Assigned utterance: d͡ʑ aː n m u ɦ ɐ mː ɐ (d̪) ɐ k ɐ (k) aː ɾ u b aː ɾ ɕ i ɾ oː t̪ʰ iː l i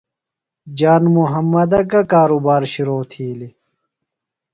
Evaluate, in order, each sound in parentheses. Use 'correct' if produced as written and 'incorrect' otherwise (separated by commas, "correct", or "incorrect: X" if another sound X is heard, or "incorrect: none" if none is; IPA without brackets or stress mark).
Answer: correct, correct